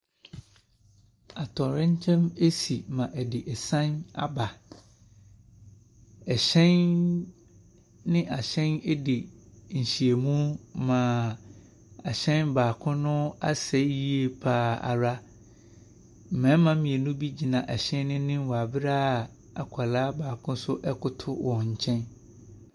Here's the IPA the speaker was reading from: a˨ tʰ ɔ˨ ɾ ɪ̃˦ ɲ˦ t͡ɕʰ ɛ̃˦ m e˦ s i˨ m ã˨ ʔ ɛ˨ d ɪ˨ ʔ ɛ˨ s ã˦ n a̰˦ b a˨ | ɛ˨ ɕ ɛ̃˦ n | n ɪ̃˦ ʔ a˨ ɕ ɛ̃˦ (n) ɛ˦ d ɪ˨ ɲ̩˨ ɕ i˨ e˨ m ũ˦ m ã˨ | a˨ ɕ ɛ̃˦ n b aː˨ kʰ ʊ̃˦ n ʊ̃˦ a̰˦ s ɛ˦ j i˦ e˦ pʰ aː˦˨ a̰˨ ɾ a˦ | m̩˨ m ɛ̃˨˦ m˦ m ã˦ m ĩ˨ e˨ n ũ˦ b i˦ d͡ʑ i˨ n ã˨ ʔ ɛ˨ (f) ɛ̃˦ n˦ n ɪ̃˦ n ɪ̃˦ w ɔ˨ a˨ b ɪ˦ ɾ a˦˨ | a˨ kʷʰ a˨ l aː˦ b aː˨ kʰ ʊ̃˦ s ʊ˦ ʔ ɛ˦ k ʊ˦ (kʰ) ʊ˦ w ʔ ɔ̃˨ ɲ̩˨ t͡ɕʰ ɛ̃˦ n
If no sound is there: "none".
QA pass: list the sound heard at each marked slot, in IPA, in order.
n, ɕ, tʰ

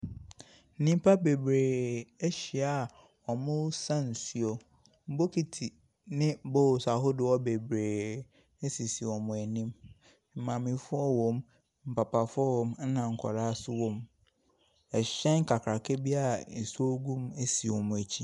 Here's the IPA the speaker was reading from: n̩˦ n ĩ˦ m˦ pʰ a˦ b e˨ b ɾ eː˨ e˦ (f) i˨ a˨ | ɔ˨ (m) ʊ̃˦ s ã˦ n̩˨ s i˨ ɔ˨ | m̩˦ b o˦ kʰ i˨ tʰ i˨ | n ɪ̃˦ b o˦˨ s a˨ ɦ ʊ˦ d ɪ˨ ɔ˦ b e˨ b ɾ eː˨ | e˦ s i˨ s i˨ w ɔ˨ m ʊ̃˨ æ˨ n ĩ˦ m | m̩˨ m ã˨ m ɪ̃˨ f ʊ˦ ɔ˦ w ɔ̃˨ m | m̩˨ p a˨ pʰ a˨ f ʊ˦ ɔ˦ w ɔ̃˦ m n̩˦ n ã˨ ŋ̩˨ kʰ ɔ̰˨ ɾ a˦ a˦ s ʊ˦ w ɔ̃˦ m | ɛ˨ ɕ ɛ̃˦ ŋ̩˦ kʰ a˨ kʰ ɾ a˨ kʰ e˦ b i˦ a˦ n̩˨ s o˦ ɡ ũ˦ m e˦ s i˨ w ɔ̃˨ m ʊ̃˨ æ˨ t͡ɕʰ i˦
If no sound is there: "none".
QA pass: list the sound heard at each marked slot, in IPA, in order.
ɕ, m

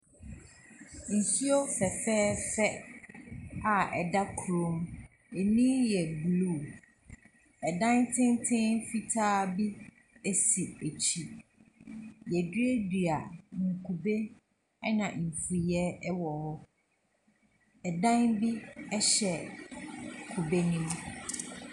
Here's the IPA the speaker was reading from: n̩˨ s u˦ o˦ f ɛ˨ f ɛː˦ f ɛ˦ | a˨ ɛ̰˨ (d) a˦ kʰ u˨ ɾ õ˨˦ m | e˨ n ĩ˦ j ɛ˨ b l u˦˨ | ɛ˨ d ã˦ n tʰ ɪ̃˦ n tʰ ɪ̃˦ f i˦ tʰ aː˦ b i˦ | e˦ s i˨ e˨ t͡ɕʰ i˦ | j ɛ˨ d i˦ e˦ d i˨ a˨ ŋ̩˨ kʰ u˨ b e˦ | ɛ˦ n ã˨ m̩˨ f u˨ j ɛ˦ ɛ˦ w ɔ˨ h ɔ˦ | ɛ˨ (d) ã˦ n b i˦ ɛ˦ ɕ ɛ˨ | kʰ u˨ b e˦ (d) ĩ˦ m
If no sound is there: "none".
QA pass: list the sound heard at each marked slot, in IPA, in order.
d, d, n

